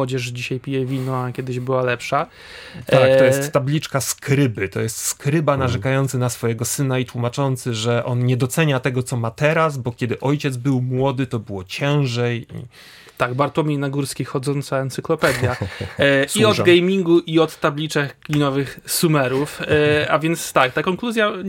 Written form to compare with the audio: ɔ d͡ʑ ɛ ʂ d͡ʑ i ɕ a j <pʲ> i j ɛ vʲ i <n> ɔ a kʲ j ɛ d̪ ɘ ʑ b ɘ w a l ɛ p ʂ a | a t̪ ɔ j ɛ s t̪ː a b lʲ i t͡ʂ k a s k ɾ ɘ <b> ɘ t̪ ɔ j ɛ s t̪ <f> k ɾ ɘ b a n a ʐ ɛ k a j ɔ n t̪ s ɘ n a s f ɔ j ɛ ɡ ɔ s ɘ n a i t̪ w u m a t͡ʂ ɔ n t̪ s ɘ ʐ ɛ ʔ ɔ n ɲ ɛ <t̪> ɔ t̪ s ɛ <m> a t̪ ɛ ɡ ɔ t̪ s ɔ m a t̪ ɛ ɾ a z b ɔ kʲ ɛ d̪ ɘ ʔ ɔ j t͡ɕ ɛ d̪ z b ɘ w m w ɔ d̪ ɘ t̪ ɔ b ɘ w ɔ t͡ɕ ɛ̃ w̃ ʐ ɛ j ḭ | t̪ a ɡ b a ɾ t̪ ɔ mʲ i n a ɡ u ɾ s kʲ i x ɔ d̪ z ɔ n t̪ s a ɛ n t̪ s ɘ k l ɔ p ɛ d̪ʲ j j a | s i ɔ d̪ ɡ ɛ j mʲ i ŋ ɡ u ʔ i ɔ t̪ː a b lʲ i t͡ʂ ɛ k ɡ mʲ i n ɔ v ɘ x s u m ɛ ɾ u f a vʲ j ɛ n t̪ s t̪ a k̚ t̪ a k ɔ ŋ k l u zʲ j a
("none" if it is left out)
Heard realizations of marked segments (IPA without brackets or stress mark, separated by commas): pʲ, n, b, s, d̪, ɲ